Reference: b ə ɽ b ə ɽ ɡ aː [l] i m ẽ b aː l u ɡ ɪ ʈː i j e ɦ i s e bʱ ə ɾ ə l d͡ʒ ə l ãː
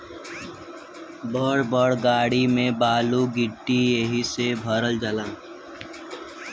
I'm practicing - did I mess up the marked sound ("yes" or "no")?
yes